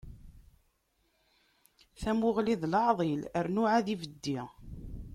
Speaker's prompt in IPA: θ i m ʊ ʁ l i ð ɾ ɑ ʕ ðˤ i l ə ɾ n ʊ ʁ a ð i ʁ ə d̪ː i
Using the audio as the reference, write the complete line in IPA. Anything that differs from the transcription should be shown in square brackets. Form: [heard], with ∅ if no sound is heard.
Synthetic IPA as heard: θ [æ] m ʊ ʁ l i ð [l] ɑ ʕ ðˤ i l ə ɾ n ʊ [ʕ] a ð i [v] ə d̪ː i